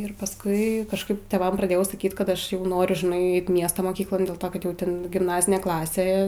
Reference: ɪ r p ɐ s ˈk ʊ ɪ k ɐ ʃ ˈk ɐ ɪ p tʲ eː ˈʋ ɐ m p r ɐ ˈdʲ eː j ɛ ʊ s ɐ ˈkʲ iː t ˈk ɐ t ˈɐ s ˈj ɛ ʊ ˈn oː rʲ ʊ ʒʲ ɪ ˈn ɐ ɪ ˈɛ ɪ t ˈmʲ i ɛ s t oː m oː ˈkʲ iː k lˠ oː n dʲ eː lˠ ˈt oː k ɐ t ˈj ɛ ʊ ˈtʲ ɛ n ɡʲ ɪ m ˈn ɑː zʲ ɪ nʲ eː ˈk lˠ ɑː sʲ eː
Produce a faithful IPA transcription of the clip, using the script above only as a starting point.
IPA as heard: ɪ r p ɐ s ˈk ʊ ɪ k ɐ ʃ ˈk ɐ ɪ p tʲ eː ˈʋ ɐ m p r ɐ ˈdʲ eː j ɛ ʊ s ɐ ˈkʲ iː t ˈk ɐ t ˈɐ ʃ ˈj ɛ ʊ ˈn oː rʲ ʊ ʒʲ ɪ ˈn ɐ ɪ ˈɛ ɪ t ˈmʲ i ɛ s t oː m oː ˈkʲ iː k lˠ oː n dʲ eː lˠ ˈt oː k ɐ t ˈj ɛ ʊ ˈtʲ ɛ n ɡʲ ɪ m ˈn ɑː zʲ ɪ nʲ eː ˈk lˠ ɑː sʲ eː